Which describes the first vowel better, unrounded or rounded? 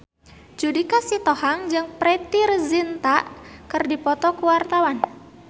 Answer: rounded